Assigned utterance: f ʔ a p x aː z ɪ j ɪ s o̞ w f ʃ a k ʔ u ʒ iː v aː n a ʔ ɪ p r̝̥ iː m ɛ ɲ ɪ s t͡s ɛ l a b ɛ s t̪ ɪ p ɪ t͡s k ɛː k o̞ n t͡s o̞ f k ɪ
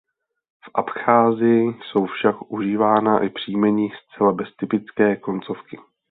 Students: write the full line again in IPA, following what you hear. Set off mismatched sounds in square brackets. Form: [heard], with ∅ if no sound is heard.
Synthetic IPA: f ʔ a p x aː z ɪ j ɪ s o̞ w f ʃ a k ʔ u ʒ iː v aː n a ʔ ɪ p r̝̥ iː m ɛ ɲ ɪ s t͡s ɛ l a b ɛ s t̪ ɪ p ɪ t͡s k ɛː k o̞ n t͡s o̞ f k ɪ